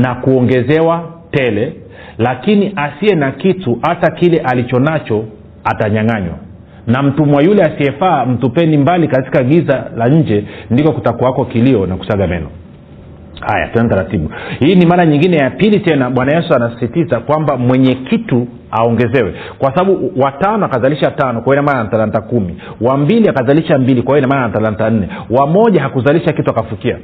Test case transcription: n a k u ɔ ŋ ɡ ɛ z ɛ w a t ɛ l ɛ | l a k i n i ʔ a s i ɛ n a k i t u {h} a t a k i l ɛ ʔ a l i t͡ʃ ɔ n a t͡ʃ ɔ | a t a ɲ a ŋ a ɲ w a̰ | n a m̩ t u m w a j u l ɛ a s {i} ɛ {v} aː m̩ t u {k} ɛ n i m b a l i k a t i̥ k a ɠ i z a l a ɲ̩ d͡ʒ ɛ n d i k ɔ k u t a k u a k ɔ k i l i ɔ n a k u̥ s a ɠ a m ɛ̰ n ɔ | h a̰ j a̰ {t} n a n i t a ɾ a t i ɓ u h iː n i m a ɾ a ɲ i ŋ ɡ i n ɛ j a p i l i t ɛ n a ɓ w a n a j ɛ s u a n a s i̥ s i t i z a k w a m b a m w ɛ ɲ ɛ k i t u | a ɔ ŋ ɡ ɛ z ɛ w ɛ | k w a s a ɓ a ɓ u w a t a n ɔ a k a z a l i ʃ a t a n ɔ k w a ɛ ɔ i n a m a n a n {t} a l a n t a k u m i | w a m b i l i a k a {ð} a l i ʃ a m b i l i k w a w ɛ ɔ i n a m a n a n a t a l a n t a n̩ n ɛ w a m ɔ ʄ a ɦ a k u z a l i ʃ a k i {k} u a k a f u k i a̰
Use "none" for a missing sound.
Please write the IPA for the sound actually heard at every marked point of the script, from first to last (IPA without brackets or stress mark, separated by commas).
h, i, f, p, t, t, z, t